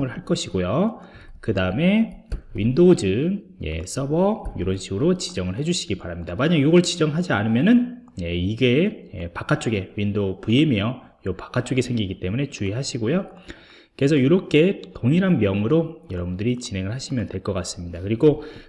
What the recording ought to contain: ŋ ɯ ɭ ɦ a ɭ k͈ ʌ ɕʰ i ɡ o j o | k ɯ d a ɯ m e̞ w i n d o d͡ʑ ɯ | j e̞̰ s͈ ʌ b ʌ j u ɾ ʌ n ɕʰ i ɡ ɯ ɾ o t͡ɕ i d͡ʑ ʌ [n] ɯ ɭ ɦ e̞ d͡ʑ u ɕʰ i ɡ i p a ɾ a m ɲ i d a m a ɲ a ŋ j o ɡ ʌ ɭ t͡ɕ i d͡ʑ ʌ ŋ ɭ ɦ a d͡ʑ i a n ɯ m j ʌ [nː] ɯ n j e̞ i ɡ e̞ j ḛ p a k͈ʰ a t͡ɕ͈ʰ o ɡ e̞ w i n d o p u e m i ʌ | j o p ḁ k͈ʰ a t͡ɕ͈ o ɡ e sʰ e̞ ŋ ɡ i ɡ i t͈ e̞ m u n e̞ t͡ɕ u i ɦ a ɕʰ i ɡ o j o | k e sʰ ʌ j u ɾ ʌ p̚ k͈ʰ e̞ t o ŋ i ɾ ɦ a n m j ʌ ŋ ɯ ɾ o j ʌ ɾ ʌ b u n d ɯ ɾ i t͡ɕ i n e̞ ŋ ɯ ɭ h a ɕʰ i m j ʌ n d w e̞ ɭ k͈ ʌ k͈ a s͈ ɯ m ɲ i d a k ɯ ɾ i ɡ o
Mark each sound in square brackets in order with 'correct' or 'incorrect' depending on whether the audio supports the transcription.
incorrect, incorrect

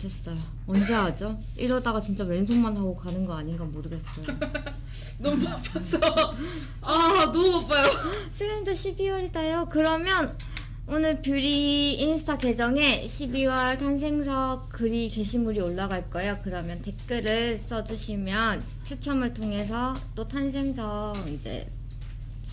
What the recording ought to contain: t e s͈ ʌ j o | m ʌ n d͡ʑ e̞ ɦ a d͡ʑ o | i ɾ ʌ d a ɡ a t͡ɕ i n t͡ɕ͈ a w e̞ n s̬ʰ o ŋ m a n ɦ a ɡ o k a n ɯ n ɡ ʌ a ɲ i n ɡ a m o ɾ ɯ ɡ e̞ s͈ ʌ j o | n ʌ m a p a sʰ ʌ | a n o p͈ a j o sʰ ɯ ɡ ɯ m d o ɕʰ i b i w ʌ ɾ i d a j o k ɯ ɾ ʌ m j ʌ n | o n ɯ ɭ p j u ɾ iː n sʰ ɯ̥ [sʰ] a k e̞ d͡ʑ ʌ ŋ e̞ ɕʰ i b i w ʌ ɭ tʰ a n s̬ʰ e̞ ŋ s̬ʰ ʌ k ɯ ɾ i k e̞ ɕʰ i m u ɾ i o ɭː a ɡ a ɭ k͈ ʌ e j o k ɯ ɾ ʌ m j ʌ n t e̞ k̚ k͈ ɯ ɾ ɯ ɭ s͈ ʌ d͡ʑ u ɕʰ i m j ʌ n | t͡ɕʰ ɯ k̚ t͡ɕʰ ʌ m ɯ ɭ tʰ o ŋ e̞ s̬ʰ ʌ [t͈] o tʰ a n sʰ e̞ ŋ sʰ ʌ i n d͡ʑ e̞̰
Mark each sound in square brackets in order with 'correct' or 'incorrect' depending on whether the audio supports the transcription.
incorrect, correct

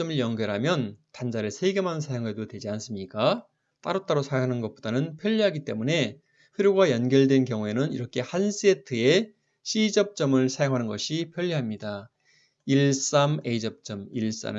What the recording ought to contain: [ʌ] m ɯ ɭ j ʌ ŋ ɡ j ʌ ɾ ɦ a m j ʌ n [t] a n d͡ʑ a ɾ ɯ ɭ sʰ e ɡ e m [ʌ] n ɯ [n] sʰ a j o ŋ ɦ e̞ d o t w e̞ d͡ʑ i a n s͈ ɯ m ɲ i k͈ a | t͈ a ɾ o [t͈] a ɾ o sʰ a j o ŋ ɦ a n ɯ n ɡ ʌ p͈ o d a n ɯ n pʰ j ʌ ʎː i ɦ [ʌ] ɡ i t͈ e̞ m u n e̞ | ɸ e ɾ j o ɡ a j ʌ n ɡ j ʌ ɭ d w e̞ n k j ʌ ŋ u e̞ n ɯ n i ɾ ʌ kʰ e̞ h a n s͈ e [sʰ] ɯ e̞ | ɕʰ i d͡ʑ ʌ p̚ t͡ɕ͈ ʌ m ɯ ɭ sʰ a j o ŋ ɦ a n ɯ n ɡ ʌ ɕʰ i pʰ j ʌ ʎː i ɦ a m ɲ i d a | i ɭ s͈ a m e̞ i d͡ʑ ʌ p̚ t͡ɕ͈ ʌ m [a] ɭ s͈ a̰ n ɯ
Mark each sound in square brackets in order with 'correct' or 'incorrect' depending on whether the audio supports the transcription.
correct, correct, incorrect, correct, correct, incorrect, incorrect, incorrect

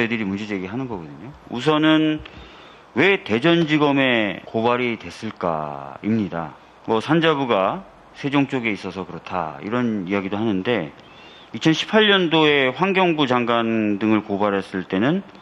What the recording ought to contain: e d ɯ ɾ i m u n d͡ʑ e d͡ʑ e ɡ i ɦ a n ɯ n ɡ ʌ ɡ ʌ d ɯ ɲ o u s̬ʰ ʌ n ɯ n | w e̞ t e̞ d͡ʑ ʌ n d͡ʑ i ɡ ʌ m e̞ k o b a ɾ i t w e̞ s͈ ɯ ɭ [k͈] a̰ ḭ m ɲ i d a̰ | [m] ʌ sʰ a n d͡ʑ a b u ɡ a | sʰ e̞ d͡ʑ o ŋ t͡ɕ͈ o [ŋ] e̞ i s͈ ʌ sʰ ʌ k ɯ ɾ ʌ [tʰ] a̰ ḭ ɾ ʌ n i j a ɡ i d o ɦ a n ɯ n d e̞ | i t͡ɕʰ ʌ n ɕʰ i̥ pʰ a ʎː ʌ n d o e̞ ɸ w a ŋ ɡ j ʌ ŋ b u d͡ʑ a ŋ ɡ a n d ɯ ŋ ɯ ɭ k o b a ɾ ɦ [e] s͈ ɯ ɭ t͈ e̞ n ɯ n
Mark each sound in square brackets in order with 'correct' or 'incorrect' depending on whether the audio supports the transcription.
correct, correct, incorrect, correct, correct

